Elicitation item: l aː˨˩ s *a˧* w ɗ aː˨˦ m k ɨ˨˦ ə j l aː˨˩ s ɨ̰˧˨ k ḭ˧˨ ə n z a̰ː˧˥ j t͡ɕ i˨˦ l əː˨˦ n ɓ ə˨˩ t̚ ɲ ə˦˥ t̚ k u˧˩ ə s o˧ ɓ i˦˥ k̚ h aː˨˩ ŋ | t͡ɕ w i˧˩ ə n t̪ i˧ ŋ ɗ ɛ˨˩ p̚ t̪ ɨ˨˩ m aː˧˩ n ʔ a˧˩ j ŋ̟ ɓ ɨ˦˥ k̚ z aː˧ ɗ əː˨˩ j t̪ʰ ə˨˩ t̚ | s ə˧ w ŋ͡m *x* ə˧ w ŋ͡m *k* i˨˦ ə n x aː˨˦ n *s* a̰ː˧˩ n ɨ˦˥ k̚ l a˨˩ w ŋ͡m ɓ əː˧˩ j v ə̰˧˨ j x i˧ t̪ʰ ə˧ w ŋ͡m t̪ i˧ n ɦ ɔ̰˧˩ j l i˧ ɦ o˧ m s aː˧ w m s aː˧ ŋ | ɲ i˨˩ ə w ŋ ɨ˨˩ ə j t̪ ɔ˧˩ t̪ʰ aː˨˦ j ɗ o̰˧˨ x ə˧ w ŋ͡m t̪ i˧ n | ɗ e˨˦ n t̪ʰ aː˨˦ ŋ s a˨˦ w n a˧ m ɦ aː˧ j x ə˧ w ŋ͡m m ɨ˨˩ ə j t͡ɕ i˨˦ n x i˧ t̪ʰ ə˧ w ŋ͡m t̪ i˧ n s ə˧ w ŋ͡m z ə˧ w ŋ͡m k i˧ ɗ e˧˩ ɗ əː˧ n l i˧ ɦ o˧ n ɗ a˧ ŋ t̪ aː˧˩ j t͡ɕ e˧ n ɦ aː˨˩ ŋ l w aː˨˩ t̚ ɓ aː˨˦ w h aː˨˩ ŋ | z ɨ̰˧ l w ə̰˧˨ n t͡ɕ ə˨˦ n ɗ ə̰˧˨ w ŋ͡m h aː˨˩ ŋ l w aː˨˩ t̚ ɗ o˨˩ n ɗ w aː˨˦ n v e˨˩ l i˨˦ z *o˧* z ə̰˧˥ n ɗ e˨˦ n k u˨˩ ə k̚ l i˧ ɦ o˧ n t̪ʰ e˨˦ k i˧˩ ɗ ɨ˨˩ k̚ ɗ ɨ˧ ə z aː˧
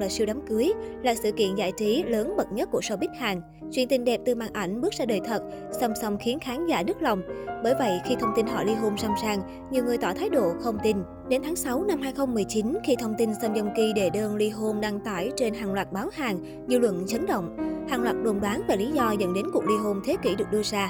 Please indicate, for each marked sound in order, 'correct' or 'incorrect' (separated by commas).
incorrect, incorrect, incorrect, incorrect, incorrect